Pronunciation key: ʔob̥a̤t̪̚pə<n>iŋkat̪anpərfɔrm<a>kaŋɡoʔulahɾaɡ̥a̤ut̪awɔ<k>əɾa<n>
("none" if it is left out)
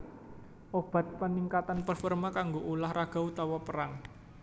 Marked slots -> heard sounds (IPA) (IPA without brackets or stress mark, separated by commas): n, a, p, ŋ